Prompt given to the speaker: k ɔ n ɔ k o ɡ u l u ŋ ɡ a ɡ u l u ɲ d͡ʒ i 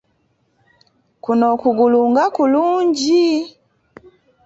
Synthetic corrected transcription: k u n ɔ k u ɡ u l u ŋ ɡ a k u l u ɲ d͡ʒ i